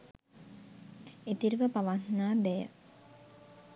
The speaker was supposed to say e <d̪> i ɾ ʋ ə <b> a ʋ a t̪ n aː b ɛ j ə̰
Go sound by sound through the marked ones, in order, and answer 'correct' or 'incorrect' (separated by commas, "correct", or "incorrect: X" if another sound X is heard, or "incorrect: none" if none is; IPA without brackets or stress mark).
incorrect: t̪, incorrect: p